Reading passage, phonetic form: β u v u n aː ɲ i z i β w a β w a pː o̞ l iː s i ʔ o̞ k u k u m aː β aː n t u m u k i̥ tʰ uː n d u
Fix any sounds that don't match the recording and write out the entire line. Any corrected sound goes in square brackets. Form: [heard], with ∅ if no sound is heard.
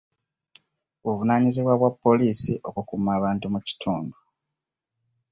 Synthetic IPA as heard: β u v u n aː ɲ i z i β w a β w a pː o̞ l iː s i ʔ o̞ k u k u m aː β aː n t u m u [c] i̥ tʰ uː n d u